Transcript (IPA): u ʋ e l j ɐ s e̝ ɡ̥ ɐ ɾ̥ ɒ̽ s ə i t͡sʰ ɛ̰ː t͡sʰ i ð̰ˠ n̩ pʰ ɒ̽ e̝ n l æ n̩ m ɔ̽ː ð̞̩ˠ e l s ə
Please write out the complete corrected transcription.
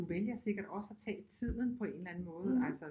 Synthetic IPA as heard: u ʋ e l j ɐ s e̝ ɡ̥ ɐ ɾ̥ ɒ̽ s ə æ t͡sʰ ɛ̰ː t͡sʰ i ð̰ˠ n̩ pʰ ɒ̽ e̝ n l æ n̩ m ɔ̽ː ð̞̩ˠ æ l s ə